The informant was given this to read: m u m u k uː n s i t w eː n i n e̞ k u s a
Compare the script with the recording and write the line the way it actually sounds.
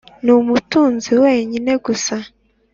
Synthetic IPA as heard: n u m u t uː n z i w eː ɲ i n e̞ ɡ u s a